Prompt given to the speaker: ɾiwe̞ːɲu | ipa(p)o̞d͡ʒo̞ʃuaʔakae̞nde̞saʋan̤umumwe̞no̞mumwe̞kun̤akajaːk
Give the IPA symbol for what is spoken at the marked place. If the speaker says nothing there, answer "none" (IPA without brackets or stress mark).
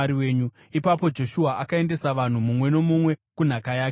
p